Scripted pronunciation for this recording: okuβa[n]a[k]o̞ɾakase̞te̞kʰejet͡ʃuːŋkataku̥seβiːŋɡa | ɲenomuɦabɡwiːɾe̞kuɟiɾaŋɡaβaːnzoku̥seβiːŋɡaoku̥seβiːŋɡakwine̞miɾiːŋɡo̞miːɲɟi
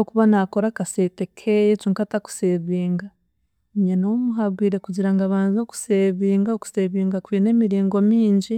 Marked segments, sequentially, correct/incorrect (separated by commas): correct, correct